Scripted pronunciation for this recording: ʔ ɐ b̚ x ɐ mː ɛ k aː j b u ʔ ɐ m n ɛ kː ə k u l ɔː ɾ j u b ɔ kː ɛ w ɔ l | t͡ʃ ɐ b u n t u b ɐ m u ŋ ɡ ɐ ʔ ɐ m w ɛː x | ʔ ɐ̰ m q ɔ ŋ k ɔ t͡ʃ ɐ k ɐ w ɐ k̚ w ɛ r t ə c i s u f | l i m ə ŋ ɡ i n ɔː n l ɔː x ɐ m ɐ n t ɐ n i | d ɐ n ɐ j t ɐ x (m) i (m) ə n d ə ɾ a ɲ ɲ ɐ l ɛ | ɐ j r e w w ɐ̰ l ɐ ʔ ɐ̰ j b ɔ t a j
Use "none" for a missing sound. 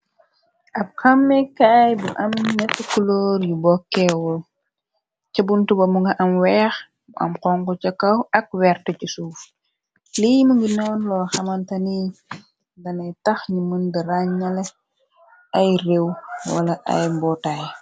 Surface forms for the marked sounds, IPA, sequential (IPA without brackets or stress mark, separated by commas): ɲ, m